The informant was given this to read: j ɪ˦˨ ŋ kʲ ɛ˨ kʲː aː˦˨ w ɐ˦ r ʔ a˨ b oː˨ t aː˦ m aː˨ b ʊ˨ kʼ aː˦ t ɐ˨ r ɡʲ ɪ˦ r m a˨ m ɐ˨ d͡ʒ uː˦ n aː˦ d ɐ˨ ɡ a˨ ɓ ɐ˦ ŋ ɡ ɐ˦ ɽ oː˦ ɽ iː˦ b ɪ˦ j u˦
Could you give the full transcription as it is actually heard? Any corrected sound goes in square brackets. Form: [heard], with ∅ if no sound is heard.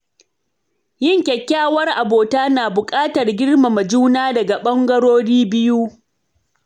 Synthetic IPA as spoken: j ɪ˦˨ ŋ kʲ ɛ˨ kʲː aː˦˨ w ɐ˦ r ʔ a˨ b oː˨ t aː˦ [n] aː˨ b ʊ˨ kʼ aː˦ t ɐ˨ r ɡʲ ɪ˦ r m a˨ m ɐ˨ d͡ʒ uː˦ n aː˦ d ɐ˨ ɡ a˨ ɓ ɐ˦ ŋ ɡ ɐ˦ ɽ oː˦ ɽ iː˦ b ɪ˦ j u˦